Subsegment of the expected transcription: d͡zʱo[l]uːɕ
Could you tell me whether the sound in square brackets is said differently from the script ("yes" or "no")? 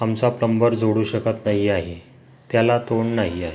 yes